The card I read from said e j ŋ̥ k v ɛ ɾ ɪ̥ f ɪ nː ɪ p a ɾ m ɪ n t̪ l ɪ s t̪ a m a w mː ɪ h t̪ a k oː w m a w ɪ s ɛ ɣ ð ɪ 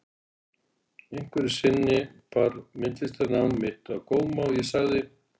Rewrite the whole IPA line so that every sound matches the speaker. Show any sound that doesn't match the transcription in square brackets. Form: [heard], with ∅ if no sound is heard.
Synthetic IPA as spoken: e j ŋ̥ k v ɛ ɾ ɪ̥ [s] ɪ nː ɪ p a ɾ m ɪ n t̪ l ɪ s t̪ a [n] a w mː ɪ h t̪ a k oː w m a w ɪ s [a] ɣ ð ɪ